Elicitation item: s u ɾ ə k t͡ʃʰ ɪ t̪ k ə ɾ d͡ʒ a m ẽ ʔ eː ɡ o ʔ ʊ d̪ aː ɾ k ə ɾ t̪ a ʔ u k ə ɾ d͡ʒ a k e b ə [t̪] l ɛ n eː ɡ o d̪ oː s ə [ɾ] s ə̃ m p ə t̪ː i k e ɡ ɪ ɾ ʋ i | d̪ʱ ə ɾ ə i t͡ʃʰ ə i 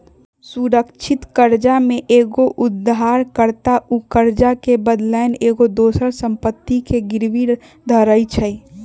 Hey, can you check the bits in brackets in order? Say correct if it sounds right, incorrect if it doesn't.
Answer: incorrect: d̪, correct

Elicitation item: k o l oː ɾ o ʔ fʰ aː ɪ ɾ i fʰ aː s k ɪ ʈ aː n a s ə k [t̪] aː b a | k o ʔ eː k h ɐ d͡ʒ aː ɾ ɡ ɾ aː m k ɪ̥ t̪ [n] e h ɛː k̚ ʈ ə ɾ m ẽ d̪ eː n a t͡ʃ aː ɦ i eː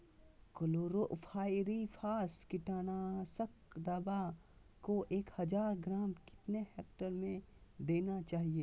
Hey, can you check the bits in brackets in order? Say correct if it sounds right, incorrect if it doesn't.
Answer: incorrect: d̪, correct

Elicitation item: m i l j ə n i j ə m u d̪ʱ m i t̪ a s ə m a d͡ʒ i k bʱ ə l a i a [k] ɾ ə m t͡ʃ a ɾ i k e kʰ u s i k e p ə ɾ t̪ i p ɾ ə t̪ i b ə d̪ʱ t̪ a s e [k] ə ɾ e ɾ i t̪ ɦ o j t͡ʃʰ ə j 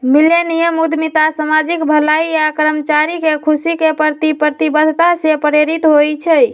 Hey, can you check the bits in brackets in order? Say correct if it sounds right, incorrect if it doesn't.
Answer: correct, incorrect: p

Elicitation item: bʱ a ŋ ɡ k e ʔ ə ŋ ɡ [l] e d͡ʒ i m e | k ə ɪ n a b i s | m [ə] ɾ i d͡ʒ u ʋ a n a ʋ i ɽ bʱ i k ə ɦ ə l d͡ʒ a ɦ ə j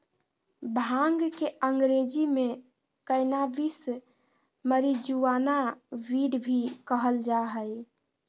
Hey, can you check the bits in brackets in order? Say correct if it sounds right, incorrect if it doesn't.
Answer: incorrect: ɾ, correct

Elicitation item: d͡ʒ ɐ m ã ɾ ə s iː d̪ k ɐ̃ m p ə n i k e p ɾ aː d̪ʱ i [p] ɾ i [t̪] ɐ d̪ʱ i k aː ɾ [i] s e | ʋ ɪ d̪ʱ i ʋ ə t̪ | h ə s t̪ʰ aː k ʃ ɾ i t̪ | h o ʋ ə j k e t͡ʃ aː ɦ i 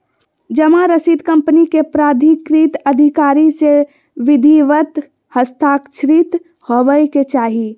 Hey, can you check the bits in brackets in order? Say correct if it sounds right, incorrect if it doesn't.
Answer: incorrect: k, correct, correct

